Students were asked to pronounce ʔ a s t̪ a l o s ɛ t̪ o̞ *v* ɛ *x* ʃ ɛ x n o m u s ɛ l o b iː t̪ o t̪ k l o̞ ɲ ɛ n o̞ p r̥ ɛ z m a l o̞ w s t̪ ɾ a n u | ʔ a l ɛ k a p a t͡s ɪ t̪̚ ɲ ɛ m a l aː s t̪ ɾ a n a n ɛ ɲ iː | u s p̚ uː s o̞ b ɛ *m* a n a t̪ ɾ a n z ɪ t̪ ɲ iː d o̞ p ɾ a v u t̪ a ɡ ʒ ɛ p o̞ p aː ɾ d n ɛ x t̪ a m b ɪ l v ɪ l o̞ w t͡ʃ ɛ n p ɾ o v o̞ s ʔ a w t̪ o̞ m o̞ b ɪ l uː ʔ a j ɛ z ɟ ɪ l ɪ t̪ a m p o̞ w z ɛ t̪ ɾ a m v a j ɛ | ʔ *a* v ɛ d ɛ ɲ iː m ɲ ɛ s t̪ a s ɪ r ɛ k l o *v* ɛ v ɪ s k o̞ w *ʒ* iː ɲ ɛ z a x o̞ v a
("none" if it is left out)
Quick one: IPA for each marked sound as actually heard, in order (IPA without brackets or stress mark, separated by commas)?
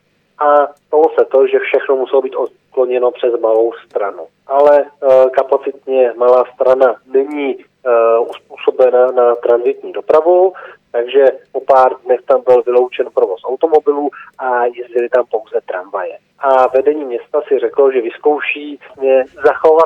ʒ, f, n, a, ʒ, ʃ